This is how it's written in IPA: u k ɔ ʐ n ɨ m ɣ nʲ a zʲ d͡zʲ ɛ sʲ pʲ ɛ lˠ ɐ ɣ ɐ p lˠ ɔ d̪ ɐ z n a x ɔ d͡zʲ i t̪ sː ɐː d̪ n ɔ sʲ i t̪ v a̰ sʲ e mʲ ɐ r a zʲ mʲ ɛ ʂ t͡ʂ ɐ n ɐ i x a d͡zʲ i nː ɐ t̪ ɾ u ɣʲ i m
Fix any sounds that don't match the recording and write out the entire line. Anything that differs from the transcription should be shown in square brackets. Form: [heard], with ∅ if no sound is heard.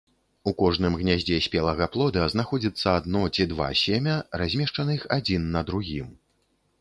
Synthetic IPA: u k ɔ ʐ n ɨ m ɣ nʲ a zʲ d͡zʲ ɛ sʲ pʲ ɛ lˠ ɐ ɣ ɐ p lˠ ɔ d̪ ɐ z n a x ɔ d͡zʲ i t̪ sː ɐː d̪ n ɔ [t͡sʲ] i [d̪] v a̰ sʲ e mʲ ɐ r a zʲ mʲ ɛ ʂ t͡ʂ ɐ n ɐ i x a d͡zʲ i nː ɐ [d̪] ɾ u ɣʲ i m

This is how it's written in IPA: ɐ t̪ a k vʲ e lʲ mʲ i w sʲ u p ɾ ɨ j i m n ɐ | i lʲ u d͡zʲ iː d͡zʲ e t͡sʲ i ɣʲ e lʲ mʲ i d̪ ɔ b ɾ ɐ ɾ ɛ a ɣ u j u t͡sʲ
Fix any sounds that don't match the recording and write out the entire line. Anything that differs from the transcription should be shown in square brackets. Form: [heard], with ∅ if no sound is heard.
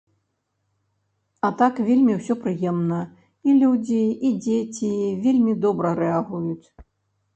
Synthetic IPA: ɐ t̪ a k vʲ e lʲ mʲ i w sʲ [ɔ] p ɾ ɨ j [ɛ] m n ɐ | i lʲ u d͡zʲ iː d͡zʲ e t͡sʲ i [vʲ] e lʲ mʲ i d̪ ɔ b ɾ ɐ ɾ ɛ a ɣ u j u t͡sʲ

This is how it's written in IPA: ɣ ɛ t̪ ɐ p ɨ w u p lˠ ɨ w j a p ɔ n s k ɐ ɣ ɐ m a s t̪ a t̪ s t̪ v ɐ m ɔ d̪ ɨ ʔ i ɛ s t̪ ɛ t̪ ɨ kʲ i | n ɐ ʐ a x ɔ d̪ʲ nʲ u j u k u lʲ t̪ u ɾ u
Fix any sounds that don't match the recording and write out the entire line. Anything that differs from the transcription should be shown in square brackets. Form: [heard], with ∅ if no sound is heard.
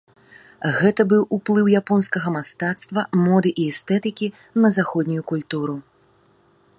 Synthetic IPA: ɣ ɛ t̪ ɐ [b] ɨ w u p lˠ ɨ w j a p ɔ n s k ɐ ɣ ɐ m a s t̪ a t̪ s t̪ v ɐ m ɔ d̪ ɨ ʔ i ɛ s t̪ ɛ t̪ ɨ kʲ i | n ɐ [z] a x ɔ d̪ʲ nʲ u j u k u lʲ t̪ u ɾ u

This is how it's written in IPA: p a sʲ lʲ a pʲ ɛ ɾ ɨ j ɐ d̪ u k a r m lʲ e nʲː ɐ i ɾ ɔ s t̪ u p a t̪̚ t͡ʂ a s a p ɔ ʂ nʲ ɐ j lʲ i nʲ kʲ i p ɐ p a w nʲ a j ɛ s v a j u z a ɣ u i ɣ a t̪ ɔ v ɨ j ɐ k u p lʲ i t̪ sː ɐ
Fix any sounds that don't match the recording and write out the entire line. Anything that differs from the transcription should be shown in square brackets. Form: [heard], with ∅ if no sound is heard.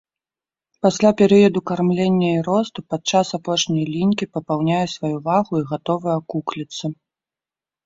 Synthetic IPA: p a sʲ lʲ a pʲ ɛ ɾ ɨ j ɐ d̪ u k a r m lʲ e nʲː ɐ i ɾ ɔ s t̪ u p a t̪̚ t͡ʂ a s a p ɔ ʂ nʲ ɐ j lʲ i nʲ kʲ i p ɐ p a w nʲ a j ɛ s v a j u [v] a ɣ u i ɣ a t̪ ɔ v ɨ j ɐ k u [k] lʲ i t̪ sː ɐ

